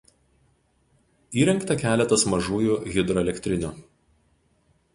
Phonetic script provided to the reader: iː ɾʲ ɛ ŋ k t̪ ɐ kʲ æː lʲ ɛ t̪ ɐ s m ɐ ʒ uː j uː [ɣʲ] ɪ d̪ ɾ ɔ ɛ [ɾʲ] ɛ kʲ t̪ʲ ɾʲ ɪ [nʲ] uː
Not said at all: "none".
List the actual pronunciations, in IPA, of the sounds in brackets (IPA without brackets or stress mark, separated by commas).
ɣʲ, lʲ, nʲ